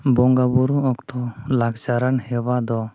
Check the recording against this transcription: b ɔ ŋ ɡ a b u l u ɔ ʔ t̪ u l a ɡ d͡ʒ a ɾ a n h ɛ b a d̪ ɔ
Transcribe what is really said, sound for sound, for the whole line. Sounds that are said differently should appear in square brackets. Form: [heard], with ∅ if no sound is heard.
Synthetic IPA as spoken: b ɔ ŋ ɡ a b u [ɾ] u ɔ [k] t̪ [ɔ] l a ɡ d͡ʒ a ɾ a n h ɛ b a d̪ ɔ

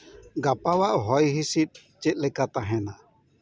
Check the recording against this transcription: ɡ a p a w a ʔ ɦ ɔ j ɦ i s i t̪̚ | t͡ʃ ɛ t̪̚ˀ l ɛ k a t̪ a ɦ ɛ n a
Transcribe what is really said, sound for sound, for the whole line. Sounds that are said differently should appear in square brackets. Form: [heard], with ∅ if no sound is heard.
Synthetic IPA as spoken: ɡ a p a w a ʔ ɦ ɔ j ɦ i s i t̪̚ | t͡ʃ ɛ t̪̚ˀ l ɛ k a t̪ a ɦ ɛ n a

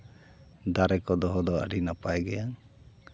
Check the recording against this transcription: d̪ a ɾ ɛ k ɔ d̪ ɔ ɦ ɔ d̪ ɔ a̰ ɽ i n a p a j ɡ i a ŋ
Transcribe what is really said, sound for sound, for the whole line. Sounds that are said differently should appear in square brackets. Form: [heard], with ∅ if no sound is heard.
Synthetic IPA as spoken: d̪ a ɾ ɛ k ɔ d̪ ɔ ɦ ɔ d̪ ɔ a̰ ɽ i n a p a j ɡ [ɛ] a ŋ

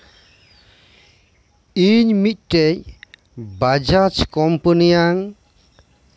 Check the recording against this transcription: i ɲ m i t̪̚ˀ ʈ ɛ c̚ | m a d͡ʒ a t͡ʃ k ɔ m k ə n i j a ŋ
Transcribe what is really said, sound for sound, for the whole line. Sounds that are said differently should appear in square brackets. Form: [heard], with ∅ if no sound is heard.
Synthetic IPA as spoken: i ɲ m i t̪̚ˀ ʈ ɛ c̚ | [b] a d͡ʒ a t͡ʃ k ɔ m [p] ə n i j a ŋ

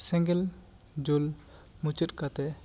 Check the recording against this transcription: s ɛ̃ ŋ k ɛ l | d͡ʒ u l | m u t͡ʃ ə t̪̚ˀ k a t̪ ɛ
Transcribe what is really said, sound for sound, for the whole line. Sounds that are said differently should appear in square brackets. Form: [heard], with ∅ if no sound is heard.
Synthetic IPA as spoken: s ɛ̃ ŋ [ɡ] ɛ l | d͡ʒ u l | m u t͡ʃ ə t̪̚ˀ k a t̪ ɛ

